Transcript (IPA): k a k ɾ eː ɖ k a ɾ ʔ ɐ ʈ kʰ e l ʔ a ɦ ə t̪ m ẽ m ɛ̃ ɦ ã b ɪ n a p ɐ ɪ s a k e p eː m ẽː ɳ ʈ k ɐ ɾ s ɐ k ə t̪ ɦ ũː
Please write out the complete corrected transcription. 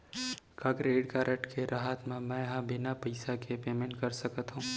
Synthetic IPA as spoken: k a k ɾ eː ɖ k a ɾ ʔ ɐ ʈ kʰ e ɾ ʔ a ɦ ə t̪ m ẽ m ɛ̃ ɦ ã b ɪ n a p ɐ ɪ s a k e p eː m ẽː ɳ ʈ k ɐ ɾ s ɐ k ə t̪ ɦ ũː